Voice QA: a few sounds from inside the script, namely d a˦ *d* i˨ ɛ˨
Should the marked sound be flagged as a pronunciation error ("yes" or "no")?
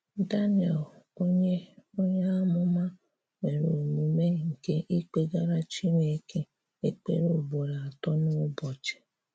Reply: yes